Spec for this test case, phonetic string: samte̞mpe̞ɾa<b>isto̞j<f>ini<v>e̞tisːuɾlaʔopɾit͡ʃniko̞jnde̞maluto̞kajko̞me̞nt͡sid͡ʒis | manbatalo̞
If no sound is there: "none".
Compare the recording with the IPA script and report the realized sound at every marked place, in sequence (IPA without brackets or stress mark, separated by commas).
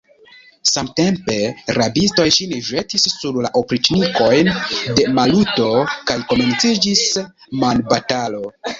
b, ʃ, ʒ